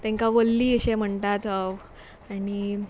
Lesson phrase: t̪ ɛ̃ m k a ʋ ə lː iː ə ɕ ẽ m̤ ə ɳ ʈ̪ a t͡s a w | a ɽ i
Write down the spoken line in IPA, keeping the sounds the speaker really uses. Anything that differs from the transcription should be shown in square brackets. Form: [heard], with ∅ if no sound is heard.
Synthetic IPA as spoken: t̪ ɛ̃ [ŋ] k a ʋ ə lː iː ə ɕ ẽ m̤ ə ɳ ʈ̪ a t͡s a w | a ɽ i